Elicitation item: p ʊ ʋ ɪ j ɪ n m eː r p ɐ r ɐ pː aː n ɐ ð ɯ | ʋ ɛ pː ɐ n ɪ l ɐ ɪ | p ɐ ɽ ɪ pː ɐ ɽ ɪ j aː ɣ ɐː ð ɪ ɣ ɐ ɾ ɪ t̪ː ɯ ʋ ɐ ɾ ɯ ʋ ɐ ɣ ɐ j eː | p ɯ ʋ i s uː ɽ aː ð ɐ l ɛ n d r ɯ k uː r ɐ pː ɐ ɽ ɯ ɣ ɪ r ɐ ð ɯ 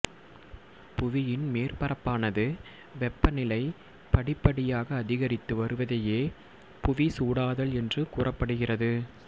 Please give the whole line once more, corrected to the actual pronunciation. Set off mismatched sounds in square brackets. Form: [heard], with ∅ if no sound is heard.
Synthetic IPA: p ʊ ʋ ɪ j ɪ n m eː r p ɐ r ɐ pː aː n ɐ ð ɯ | ʋ ɛ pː ɐ n ɪ l ɐ ɪ | p ɐ ɽ ɪ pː ɐ ɽ ɪ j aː ɣ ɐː ð ɪ ɣ ɐ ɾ ɪ t̪ː ɯ ʋ ɐ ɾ ɯ ʋ ɐ [ð] ɐ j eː | p [ʊ] ʋ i s uː ɽ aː ð ɐ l ɛ n d r ɯ k uː r ɐ pː ɐ ɽ ɯ ɣ ɪ r ɐ ð ɯ

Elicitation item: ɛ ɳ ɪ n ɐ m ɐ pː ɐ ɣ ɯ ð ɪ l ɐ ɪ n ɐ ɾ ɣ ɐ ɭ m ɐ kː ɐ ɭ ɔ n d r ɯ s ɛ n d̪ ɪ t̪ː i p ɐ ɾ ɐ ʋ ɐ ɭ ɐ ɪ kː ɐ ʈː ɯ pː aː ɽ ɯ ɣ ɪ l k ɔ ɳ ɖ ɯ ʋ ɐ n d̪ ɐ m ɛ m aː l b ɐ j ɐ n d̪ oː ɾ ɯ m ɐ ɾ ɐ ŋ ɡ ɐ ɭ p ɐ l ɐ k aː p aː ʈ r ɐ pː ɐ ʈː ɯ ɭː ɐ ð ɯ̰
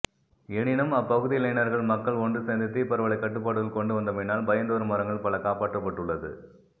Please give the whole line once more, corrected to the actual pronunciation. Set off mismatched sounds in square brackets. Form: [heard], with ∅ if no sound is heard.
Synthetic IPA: ɛ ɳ ɪ n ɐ m ɐ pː ɐ ɣ ɯ ð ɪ l ɐ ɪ n ɐ ɾ ɣ ɐ ɭ m ɐ kː ɐ ɭ ɔ n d r ɯ s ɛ n d̪ ɪ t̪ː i p ɐ ɾ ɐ ʋ ɐ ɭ ɐ ɪ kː ɐ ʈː ɯ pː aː ɽ ɯ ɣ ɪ l k ɔ ɳ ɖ ɯ ʋ ɐ n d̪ ɐ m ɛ [n] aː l b ɐ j ɐ n d̪ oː ɾ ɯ m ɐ ɾ ɐ ŋ ɡ ɐ ɭ p ɐ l ɐ k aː p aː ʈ r ɐ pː ɐ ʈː ɯ ɭː ɐ ð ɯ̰

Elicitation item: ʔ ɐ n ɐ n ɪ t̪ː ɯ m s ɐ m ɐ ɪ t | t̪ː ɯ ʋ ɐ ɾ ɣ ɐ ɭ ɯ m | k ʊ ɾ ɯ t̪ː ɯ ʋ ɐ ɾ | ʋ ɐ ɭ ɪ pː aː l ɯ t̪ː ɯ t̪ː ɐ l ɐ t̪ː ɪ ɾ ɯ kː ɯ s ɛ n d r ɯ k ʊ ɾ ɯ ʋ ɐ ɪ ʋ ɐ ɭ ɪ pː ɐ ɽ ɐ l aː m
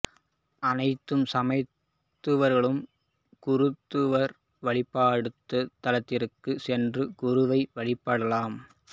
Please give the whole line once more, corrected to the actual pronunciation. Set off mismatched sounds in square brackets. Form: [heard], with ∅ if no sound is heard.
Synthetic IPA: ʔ ɐ n ɐ [∅] ɪ t̪ː ɯ m s ɐ m ɐ ɪ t | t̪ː ɯ ʋ ɐ ɾ ɣ ɐ ɭ ɯ m | k ʊ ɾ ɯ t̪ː ɯ ʋ ɐ ɾ | ʋ ɐ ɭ ɪ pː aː [ɽ] ɯ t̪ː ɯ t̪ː ɐ l ɐ t̪ː ɪ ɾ ɯ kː ɯ s ɛ n d r ɯ k ʊ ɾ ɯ ʋ ɐ ɪ ʋ ɐ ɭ ɪ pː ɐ ɽ ɐ l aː m

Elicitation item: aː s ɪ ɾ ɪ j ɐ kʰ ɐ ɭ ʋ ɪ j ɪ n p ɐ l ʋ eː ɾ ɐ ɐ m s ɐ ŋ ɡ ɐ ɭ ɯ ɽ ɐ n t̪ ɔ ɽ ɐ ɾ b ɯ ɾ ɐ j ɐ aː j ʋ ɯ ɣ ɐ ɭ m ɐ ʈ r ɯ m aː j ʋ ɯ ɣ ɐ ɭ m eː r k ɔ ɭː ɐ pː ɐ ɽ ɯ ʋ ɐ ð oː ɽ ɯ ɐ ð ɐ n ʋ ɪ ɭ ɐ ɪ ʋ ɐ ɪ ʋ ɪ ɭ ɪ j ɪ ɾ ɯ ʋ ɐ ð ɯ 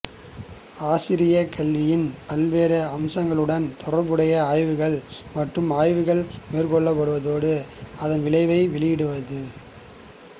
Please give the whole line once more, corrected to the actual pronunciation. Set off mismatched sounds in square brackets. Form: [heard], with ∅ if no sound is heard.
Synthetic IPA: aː s ɪ ɾ ɪ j ɐ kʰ ɐ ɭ ʋ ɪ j ɪ n p ɐ l ʋ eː ɾ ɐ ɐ m s ɐ ŋ ɡ ɐ ɭ ɯ ɽ ɐ n t̪ ɔ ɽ ɐ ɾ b ɯ [ɽ] ɐ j ɐ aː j ʋ ɯ ɣ ɐ ɭ m ɐ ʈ r ɯ m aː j ʋ ɯ ɣ ɐ ɭ m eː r k ɔ ɭː ɐ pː ɐ ɽ ɯ ʋ ɐ ð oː ɽ ɯ ɐ ð ɐ n ʋ ɪ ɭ ɐ ɪ ʋ ɐ ɪ ʋ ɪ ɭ ɪ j ɪ [ɽ] ɯ ʋ ɐ ð ɯ

